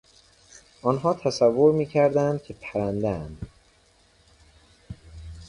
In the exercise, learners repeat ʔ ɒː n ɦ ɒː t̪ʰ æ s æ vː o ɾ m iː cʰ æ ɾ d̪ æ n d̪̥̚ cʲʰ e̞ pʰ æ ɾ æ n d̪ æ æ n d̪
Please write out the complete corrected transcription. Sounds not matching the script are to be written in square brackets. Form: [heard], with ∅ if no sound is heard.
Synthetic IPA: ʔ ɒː n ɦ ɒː t̪ʰ æ s æ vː o ɾ m iː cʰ æ ɾ d̪ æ n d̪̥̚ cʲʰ e̞ pʰ æ ɾ æ n d̪ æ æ n d̪